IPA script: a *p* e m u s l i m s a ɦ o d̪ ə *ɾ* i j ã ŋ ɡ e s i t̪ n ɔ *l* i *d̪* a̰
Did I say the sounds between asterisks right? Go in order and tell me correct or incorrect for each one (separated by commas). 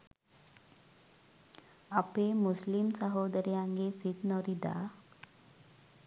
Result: correct, correct, incorrect, correct